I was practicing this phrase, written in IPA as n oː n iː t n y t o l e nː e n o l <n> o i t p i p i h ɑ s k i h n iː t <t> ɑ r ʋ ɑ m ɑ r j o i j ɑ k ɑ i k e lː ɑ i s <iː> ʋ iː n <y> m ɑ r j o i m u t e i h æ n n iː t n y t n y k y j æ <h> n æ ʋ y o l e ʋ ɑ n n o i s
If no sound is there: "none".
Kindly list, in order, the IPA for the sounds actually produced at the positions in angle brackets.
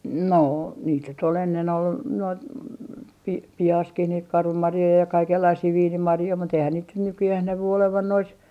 n, k, iː, i, h

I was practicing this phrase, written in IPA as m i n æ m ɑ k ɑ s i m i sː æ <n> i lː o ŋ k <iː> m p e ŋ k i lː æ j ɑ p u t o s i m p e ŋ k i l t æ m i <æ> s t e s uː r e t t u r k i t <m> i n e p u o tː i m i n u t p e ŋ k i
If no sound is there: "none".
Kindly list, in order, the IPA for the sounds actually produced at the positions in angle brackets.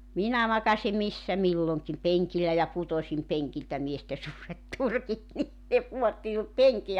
m, i, e, n

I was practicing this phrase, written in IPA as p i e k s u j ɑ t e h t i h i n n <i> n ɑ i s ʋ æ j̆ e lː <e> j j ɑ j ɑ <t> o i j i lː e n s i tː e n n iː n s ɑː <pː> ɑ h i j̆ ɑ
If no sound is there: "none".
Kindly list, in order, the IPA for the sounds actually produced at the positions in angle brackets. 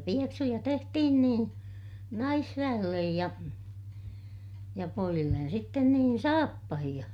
iː, e, p, pː

